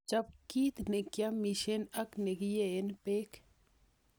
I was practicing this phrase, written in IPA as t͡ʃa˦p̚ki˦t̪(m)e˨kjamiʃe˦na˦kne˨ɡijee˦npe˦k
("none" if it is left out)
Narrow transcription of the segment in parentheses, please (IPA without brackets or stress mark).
n